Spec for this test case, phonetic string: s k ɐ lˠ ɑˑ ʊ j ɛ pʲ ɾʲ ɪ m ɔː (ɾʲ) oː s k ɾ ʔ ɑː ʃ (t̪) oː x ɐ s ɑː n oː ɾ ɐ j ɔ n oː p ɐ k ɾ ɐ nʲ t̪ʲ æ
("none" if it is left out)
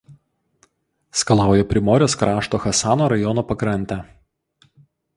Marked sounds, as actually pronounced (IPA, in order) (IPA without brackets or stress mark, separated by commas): ɾʲ, t̪